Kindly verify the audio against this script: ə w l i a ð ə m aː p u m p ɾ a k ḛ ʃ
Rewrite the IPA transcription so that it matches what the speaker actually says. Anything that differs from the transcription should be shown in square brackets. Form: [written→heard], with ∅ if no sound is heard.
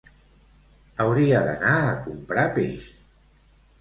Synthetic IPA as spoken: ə w [l→ɾ] i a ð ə [m→n] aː [p→k] u m p ɾ a [k→p] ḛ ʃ